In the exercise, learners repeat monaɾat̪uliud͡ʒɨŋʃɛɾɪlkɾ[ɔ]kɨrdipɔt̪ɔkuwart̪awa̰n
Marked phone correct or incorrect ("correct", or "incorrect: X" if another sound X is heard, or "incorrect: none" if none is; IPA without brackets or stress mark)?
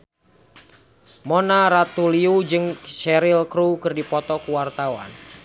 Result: incorrect: u